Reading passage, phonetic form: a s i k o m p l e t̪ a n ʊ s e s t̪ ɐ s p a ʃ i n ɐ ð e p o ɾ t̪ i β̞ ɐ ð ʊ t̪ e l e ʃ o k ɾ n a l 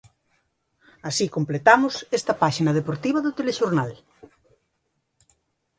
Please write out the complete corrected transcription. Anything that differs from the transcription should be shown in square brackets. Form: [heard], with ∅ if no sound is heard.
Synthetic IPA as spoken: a s i k o m p l e t̪ a [m] ʊ s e s t̪ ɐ [∅] p a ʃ i n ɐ ð e p o ɾ t̪ i β̞ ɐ ð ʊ t̪ e l e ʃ o [∅] ɾ n a l